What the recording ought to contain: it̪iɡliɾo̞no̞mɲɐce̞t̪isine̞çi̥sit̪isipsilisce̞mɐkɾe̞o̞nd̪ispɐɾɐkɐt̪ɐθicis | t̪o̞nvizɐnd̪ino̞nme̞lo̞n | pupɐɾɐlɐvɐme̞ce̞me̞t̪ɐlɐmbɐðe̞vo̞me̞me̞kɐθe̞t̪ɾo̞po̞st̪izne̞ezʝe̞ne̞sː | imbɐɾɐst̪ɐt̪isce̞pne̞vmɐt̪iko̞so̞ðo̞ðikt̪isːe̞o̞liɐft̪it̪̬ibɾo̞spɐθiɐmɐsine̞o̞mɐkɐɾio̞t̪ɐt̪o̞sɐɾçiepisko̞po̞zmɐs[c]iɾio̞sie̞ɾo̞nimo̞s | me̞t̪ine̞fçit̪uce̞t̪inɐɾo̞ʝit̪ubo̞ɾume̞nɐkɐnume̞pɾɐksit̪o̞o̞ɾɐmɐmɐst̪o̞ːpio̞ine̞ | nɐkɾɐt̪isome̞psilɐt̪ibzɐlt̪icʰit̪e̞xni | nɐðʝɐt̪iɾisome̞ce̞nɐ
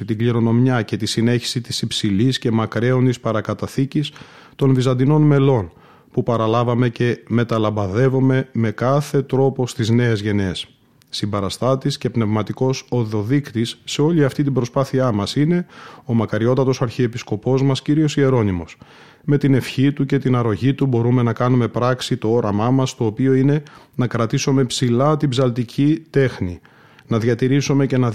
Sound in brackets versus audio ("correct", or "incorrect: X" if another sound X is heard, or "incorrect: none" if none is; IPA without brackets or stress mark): correct